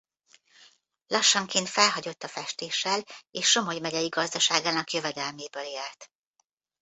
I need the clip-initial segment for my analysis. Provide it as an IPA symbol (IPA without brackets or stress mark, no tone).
l